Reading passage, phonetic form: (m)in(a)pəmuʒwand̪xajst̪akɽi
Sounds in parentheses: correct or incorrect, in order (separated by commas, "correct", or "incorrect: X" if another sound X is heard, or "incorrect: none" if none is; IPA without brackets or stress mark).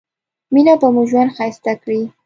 correct, correct